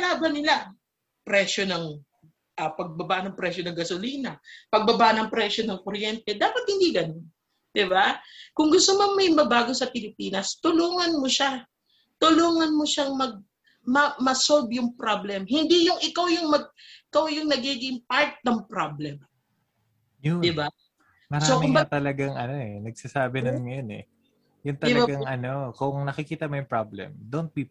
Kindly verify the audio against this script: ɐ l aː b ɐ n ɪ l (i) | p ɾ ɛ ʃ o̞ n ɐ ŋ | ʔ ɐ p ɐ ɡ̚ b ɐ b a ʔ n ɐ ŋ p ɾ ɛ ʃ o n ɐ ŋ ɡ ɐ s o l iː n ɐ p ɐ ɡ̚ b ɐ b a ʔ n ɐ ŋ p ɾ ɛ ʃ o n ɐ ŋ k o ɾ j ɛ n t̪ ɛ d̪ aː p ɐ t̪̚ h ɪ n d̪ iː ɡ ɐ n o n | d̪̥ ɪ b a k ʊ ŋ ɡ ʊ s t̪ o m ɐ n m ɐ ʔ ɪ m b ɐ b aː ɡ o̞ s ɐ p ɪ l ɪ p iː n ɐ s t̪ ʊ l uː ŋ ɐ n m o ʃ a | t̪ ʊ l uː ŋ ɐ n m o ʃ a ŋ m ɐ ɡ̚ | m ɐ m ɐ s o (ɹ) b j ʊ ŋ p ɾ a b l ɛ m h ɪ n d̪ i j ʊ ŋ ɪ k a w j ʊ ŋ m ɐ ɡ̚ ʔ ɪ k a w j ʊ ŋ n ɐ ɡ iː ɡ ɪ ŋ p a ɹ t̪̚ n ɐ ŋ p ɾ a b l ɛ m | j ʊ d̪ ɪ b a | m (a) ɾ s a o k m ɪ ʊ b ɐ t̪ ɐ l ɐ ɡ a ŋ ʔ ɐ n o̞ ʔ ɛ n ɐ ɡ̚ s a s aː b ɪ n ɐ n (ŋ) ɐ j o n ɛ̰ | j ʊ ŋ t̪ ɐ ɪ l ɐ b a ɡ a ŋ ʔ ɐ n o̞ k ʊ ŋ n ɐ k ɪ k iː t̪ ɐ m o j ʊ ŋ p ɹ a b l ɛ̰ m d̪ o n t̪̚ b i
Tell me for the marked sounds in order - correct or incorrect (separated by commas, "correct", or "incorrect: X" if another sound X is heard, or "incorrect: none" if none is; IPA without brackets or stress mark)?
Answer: incorrect: a, incorrect: l, incorrect: ɐ, correct